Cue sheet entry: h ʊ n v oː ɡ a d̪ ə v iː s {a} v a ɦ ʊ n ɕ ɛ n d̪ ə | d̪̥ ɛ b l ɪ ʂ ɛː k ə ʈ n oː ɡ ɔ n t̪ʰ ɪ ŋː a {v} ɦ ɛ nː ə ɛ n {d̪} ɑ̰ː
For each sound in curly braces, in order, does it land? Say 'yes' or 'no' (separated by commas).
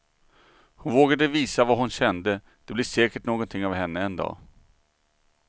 yes, yes, yes